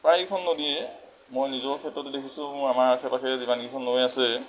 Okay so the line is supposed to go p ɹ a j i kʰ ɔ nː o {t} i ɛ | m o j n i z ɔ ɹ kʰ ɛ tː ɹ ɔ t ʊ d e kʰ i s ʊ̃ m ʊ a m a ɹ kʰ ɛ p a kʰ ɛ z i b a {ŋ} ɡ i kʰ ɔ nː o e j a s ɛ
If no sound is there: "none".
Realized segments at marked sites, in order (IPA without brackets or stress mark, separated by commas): d, n